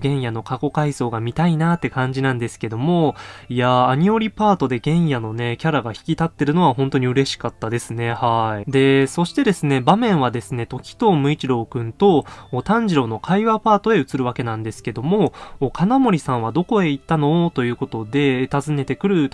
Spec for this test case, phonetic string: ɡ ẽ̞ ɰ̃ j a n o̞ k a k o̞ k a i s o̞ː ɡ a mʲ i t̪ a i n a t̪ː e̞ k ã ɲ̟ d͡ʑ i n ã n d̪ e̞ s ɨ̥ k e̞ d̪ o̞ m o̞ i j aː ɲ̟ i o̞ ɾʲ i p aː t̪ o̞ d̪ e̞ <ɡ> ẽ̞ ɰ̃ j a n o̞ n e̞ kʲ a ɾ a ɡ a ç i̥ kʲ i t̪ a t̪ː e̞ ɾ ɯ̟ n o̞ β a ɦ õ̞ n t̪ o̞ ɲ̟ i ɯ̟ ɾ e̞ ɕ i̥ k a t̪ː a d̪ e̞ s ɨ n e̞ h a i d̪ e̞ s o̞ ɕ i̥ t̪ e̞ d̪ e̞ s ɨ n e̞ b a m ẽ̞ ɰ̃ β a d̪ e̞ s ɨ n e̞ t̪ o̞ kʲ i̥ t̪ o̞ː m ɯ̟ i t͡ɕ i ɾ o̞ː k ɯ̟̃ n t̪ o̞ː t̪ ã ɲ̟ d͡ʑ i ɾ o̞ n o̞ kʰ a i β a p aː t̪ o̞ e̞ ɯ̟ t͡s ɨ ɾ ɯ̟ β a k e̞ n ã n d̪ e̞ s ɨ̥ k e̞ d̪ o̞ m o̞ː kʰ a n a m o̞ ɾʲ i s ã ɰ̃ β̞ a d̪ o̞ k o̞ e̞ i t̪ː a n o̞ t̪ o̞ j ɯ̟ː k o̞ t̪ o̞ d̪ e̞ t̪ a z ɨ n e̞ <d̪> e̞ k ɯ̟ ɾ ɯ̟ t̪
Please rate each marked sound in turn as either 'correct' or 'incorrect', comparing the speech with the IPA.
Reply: correct, incorrect: t̪

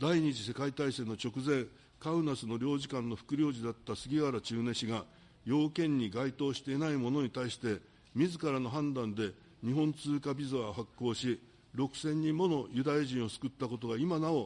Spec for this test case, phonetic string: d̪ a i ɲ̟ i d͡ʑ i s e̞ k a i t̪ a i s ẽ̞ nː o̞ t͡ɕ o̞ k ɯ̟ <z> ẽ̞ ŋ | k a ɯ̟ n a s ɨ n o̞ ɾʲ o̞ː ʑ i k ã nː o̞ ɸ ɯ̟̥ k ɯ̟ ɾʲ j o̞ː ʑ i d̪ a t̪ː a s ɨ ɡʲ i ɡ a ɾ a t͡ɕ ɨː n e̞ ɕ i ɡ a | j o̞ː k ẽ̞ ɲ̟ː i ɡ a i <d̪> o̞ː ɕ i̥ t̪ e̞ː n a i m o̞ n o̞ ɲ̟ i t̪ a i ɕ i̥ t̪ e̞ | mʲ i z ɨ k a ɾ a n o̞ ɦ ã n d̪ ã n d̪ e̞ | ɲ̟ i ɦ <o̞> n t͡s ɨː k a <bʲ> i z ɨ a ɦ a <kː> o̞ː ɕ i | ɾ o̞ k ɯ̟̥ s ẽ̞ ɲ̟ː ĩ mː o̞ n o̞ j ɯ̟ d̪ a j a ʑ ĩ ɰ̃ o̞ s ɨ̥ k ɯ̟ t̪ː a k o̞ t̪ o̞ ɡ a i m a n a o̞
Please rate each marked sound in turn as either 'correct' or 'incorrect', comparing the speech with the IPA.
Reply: correct, incorrect: t̪, incorrect: õ̞, correct, correct

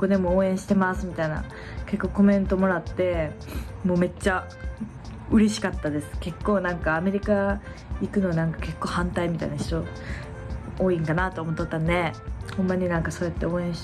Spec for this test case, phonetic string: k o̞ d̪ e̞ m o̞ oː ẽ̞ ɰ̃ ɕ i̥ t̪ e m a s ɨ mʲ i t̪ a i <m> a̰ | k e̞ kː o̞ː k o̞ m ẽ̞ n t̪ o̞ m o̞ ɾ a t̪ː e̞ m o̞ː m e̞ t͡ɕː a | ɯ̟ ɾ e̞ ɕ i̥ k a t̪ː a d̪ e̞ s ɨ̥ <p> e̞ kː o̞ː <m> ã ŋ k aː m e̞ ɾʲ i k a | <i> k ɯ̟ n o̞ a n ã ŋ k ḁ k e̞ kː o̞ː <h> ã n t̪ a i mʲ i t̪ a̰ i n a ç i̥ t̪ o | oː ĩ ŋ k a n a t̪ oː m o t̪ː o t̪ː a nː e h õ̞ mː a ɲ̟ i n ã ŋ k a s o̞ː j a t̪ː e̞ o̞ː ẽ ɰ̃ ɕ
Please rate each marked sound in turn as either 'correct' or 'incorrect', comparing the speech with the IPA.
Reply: incorrect: n, incorrect: k, incorrect: n, correct, correct

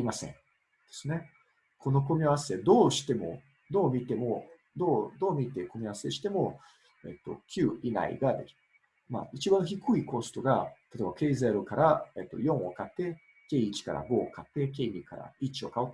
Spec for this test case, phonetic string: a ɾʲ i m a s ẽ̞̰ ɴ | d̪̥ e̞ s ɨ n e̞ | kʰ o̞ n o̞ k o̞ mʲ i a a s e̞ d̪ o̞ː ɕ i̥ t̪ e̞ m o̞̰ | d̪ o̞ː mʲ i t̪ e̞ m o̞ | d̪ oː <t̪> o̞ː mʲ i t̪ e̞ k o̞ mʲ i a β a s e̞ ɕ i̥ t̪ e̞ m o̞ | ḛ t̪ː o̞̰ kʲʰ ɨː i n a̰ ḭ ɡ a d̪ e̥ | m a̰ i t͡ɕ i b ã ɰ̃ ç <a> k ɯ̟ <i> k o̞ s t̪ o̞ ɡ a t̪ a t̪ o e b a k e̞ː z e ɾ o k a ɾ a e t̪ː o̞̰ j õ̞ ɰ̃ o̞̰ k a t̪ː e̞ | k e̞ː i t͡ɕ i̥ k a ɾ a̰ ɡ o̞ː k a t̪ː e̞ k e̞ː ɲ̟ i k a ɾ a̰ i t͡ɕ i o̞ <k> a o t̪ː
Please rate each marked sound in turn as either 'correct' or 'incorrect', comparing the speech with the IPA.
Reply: incorrect: d̪, incorrect: i, correct, correct

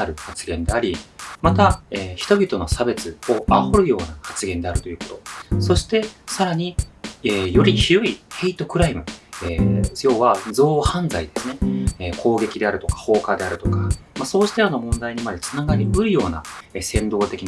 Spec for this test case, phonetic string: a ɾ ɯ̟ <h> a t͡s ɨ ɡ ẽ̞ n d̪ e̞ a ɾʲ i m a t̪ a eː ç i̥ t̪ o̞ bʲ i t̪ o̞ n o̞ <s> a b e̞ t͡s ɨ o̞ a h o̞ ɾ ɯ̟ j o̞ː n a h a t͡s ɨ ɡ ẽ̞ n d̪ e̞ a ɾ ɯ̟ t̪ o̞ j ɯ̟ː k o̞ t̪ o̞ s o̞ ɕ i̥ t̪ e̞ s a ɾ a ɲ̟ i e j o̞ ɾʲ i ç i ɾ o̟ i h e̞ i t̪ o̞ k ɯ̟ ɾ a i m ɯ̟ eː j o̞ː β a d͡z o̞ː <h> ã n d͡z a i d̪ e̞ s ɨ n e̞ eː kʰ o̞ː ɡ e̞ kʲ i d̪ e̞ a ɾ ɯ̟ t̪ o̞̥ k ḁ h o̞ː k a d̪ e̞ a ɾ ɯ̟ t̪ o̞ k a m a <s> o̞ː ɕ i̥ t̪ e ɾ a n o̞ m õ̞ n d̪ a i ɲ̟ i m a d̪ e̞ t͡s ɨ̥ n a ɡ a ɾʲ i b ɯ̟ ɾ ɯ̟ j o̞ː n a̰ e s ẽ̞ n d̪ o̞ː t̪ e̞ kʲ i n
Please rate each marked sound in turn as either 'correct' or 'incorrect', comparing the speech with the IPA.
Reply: correct, correct, correct, correct

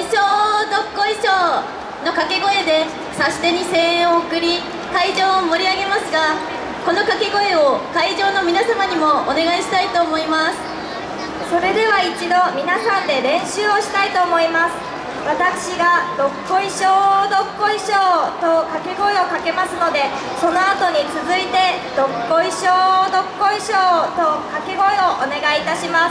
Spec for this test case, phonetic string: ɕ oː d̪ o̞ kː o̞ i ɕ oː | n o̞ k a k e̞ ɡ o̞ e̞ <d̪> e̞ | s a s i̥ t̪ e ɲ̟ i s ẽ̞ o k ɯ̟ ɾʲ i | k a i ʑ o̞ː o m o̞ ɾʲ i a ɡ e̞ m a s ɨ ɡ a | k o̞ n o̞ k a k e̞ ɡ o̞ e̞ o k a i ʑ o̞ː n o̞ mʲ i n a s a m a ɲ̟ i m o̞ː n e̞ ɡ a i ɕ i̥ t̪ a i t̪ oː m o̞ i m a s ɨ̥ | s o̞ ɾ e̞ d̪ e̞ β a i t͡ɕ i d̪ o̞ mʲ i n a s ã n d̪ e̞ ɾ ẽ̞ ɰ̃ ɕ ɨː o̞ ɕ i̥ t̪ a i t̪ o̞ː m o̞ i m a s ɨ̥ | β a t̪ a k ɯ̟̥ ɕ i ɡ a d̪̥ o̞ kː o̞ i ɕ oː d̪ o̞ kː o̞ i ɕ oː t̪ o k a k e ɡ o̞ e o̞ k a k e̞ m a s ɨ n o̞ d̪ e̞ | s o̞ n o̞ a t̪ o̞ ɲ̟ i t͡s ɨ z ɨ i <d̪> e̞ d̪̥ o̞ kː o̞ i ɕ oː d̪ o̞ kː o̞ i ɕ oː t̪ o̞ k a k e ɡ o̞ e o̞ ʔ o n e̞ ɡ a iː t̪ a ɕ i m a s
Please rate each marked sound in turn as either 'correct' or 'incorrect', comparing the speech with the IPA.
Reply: correct, incorrect: t̪

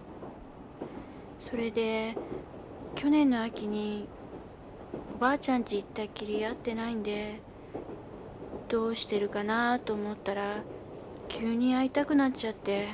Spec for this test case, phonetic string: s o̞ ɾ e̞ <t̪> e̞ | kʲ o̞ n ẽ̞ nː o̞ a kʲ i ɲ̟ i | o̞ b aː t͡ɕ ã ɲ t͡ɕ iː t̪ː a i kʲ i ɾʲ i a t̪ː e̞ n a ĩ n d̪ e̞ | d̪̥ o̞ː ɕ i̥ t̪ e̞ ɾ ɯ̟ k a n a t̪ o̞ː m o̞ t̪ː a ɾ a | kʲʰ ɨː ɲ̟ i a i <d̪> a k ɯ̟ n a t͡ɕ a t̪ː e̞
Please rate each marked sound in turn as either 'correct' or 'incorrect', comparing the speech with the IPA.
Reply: incorrect: d̪, incorrect: t̪

